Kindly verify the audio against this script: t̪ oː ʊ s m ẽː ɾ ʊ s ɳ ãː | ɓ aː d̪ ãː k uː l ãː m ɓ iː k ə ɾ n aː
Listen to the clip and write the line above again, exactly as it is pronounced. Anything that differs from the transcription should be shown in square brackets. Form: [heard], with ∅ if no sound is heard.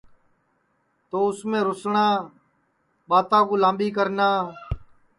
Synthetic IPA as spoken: t̪ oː ʊ s m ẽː ɾ ʊ s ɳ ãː | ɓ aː [t̪] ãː k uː l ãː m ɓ iː k ə ɾ n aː